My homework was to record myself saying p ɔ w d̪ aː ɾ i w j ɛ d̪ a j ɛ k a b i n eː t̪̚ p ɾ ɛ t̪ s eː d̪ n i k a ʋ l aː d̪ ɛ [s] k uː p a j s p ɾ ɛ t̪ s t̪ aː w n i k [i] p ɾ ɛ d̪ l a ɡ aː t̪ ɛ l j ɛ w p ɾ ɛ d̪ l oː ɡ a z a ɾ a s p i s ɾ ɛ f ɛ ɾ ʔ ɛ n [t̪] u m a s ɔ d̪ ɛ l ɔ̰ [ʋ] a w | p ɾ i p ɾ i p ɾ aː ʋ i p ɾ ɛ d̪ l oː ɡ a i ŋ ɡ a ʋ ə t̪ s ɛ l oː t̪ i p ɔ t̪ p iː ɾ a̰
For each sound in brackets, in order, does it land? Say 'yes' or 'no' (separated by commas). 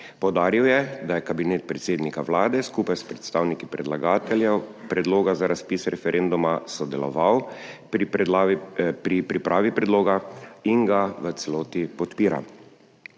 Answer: yes, yes, no, yes